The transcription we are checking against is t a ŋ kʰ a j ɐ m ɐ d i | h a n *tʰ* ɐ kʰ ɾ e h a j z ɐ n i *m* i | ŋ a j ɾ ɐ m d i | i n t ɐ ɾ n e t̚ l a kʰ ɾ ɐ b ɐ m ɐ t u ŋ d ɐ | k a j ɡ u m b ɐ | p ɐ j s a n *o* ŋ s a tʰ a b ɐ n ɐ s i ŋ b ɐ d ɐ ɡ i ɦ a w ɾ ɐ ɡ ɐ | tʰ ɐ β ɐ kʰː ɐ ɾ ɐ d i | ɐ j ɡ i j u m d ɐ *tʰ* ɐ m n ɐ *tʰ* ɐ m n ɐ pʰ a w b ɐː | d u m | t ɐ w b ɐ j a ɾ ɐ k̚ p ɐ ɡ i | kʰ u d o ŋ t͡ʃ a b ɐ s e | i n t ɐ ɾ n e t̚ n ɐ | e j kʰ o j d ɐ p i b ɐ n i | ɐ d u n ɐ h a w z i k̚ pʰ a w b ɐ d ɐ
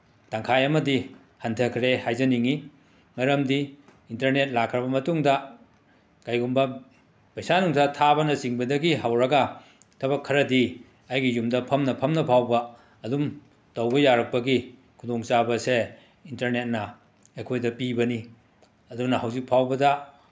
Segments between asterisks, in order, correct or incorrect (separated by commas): correct, incorrect, incorrect, incorrect, incorrect